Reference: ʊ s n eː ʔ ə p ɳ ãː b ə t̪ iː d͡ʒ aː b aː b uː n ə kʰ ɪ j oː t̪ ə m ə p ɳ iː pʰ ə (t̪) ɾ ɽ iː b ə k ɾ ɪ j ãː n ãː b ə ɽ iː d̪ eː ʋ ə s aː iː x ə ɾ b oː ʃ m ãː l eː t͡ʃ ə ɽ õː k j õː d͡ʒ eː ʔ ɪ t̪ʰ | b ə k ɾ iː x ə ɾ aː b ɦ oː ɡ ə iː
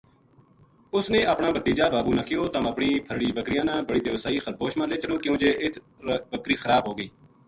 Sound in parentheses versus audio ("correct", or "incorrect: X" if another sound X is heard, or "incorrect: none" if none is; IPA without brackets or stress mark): incorrect: none